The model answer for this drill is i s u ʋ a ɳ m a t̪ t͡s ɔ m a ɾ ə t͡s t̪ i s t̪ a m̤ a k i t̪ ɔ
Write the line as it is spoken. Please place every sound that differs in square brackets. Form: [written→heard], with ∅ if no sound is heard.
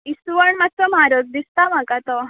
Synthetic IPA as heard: i s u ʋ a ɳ m a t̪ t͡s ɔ m a ɾ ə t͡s [t̪→d̪] i s t̪ a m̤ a k [i→a] t̪ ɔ

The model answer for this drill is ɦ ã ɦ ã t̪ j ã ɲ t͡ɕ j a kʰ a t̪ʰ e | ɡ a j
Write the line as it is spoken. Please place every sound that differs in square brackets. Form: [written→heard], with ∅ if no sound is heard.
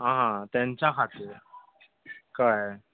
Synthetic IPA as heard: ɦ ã ɦ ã t̪ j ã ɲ t͡ɕ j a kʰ a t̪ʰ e | [ɡ→k] a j

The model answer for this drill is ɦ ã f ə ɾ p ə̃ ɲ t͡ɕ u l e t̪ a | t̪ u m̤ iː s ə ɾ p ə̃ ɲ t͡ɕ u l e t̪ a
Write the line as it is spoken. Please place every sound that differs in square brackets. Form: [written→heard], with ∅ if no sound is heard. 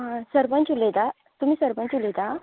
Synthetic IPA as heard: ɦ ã [f→s] ə ɾ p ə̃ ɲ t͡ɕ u l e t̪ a | t̪ u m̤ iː s ə ɾ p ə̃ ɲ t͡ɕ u l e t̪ a

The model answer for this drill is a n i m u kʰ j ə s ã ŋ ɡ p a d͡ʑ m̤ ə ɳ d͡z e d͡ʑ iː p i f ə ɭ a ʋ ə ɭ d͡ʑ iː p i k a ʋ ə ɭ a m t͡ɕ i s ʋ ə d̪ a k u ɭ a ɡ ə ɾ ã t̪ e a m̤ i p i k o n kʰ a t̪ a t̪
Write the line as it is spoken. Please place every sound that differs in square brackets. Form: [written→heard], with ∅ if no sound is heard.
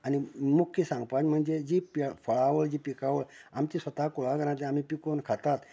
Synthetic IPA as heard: a n i m u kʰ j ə s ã ŋ ɡ p a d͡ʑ m̤ ə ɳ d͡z e d͡ʑ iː p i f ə ɭ a ʋ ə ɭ d͡ʑ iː p i k a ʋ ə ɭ a m t͡ɕ i s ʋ ə [d̪→t̪] a k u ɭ a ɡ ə ɾ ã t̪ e a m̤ i p i k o n kʰ a t̪ a t̪

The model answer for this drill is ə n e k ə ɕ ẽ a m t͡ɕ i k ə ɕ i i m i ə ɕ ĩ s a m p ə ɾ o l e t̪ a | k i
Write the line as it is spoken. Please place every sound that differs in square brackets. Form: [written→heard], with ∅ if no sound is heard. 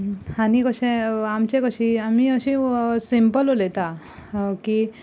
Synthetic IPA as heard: [ə→a] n [e→i] k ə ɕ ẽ a m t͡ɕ [i→e] k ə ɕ i [i→a] m i ə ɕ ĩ s [a→i] m p ə [ɾ→l] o l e t̪ a | k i

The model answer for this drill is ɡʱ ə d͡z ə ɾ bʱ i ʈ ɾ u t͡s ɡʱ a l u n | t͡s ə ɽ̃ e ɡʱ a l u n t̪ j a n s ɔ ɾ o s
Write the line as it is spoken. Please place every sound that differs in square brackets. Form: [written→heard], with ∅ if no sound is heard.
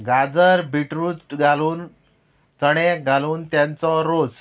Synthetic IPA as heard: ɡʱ [ə→a] d͡z ə ɾ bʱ i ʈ ɾ u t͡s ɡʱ a l [u→uː] n | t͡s ə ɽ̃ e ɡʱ a l [u→uː] n t̪ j a n [s→t͡s] ɔ ɾ o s

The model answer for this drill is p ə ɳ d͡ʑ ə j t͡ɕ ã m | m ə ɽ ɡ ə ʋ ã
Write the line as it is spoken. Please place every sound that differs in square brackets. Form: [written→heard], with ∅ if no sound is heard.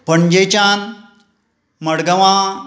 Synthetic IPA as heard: p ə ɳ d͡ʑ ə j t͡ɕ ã [m→n] | m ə ɽ ɡ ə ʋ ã

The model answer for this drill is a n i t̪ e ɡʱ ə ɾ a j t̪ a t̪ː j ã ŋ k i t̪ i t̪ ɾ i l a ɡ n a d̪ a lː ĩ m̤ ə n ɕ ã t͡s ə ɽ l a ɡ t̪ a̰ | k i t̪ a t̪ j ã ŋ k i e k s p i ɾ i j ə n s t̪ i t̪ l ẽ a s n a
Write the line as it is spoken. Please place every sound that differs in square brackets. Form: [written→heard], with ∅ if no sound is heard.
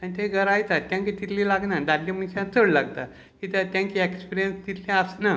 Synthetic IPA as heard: a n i t̪ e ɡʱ ə ɾ a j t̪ a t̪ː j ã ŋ k i t̪ i t̪ [ɾ→l] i l a ɡ n a d̪ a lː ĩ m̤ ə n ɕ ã t͡s ə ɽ l a ɡ t̪ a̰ | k i t̪ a t̪ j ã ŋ k i e k s p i ɾ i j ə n s t̪ i t̪ l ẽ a s n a

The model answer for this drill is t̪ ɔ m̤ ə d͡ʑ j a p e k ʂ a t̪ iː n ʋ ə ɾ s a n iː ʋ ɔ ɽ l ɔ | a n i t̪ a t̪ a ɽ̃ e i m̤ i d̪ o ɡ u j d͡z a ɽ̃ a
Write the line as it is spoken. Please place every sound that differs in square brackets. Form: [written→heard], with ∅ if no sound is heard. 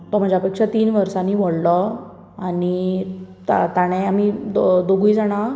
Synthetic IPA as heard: t̪ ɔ m̤ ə d͡ʑ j a p e k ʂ a t̪ iː n ʋ ə ɾ s a n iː ʋ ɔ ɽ l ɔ | a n i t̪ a t̪ a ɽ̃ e [i→a] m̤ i d̪ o ɡ u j d͡z a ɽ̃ a

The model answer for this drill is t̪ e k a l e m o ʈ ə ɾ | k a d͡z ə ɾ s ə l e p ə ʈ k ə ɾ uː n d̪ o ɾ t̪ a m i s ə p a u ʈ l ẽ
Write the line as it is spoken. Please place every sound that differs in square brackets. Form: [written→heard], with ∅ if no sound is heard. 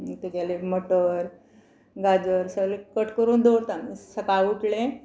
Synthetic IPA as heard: t̪ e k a l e m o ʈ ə ɾ | [k→ɡ] a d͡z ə ɾ s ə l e [p→k] ə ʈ k ə ɾ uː n d̪ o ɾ t̪ a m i s ə [p→k] a u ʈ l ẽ

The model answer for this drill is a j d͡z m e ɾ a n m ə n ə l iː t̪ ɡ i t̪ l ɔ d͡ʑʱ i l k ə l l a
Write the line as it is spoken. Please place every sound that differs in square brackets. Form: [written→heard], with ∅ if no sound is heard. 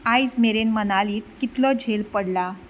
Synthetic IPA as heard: a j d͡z m e ɾ [a→e] n m ə n [ə→a] l iː t̪ [ɡ→k] i t̪ l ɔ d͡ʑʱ [i→e] l [k→p] ə [l→ɽ] l a

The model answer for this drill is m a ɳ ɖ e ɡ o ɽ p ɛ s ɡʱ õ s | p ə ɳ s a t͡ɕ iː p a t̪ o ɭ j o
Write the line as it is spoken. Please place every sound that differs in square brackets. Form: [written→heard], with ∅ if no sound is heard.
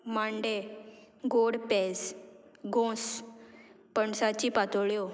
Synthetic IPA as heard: m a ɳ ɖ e ɡ o ɽ p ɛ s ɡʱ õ s | p ə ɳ s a t͡ɕ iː p a t̪ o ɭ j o

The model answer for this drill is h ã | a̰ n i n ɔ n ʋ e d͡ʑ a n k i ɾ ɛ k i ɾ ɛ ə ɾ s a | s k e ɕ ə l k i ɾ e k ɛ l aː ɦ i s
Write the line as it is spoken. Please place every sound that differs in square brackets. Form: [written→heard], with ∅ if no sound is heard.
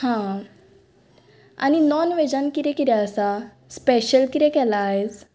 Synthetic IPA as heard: h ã | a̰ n i n ɔ n ʋ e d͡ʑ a n k i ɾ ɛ k i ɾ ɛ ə [ɾ→∅] s a | s [k→p] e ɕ ə l k i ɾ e k ɛ l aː ɦ [i→e] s

